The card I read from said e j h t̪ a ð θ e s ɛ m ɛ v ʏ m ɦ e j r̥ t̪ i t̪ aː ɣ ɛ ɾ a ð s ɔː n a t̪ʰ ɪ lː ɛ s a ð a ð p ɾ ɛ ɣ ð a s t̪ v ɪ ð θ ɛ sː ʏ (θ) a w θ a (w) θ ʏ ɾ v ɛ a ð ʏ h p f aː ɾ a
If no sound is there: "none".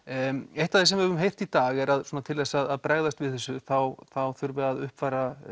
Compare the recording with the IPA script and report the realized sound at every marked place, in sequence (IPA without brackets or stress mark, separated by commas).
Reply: θ, w